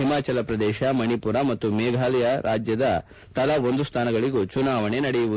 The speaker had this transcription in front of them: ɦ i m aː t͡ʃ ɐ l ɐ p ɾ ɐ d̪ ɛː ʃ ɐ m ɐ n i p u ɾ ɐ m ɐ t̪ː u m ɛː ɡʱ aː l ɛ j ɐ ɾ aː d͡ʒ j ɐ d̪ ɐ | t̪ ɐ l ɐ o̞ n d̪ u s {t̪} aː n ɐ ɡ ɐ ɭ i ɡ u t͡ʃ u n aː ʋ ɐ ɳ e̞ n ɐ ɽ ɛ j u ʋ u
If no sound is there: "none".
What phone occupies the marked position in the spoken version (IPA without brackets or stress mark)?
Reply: t̪ʰ